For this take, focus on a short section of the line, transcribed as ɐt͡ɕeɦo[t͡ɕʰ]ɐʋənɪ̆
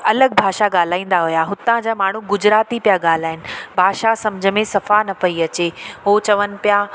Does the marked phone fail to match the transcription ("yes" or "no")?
yes